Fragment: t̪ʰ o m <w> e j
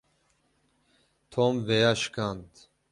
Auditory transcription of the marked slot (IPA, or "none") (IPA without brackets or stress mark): v